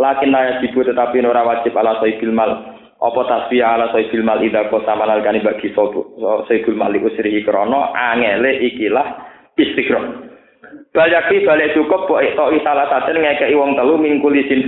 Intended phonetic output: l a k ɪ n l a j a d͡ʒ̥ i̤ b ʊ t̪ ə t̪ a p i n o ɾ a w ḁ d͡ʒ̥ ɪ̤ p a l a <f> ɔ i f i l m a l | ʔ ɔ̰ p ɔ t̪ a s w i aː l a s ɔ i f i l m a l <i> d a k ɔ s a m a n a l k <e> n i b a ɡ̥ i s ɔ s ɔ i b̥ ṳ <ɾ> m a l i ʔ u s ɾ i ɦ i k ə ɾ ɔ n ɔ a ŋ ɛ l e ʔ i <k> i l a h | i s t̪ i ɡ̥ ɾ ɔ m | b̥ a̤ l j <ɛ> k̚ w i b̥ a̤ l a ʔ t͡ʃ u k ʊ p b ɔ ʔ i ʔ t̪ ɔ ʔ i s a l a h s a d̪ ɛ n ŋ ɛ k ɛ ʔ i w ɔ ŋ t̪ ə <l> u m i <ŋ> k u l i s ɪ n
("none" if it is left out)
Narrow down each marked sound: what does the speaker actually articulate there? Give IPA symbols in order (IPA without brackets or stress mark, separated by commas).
s, i, a, l, k, a, l, ŋ